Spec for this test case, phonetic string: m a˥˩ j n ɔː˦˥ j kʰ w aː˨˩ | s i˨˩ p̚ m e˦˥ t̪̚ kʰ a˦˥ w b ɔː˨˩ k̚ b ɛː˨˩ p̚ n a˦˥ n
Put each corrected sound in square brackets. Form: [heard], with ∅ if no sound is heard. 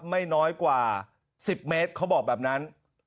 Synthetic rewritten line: m a˥˩ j n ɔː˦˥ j [k] w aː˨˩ | s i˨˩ p̚ m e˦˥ t̪̚ kʰ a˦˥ w b ɔː˨˩ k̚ b ɛː˨˩ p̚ n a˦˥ n